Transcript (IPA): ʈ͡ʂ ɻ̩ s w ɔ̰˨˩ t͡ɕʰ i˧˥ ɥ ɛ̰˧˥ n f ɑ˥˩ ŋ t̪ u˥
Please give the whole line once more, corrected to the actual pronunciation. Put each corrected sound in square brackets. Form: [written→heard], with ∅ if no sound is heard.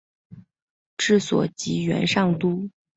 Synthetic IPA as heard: ʈ͡ʂ ɻ̩ s w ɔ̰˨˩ [t͡ɕʰ→t͡ɕ] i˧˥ ɥ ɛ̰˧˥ n [f→ʂ] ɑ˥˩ ŋ t̪ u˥